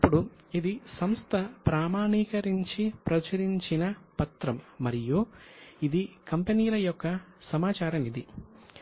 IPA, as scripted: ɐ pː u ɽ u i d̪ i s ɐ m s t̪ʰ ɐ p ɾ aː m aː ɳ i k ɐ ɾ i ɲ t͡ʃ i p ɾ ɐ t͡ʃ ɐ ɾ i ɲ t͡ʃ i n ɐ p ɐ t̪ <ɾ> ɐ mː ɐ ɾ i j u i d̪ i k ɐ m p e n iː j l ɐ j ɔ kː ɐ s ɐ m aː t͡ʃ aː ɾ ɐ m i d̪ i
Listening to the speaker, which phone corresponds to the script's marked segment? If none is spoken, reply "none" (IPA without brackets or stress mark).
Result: ɾ